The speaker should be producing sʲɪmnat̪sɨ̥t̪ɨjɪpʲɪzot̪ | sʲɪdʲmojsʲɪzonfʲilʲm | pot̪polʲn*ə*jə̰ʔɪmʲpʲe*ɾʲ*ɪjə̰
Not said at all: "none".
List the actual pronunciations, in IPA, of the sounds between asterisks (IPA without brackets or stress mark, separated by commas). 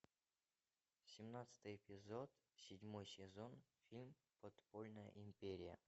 ə, ɾʲ